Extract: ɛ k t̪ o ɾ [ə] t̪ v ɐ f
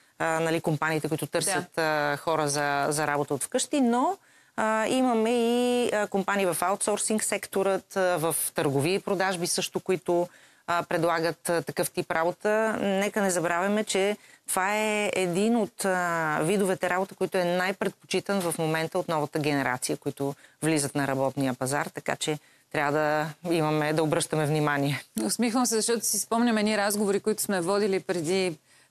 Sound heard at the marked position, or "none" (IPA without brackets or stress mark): ə